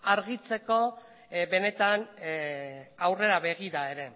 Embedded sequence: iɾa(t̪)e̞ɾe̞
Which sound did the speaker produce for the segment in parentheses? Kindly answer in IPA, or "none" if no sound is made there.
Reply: none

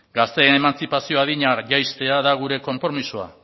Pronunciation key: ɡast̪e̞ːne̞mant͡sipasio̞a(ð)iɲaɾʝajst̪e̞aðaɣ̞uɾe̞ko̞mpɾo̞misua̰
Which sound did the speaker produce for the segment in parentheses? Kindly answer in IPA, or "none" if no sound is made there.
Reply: ð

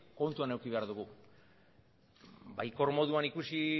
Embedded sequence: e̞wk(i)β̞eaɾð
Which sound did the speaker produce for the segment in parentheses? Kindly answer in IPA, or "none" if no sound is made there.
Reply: i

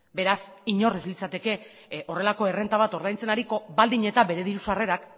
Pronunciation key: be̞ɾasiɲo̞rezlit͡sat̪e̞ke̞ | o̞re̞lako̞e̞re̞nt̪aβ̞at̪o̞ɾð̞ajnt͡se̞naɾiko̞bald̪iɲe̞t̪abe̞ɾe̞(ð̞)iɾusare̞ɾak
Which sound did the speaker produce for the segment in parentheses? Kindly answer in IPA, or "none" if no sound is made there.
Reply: ð̞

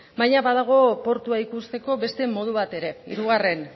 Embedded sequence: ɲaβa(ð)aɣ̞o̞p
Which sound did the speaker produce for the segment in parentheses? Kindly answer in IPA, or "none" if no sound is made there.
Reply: ð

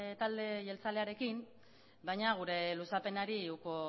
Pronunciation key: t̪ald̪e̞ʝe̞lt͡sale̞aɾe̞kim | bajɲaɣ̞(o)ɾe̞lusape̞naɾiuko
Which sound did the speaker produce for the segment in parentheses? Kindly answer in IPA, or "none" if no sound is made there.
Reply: u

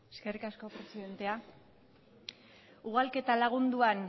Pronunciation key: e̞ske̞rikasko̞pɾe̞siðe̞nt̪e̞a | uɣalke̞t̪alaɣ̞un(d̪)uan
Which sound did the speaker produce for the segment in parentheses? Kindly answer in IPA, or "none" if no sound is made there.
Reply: d̪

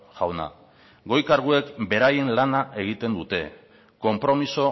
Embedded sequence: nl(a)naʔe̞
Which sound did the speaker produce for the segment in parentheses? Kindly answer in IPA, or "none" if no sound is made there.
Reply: a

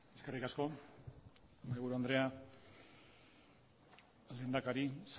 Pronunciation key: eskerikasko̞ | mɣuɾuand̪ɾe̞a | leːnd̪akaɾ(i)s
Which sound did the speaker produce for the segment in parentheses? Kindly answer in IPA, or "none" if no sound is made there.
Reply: i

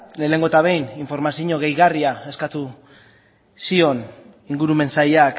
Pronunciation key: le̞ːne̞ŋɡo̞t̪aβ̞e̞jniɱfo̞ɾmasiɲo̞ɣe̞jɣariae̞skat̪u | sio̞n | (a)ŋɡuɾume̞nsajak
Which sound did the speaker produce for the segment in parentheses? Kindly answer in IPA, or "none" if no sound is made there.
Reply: i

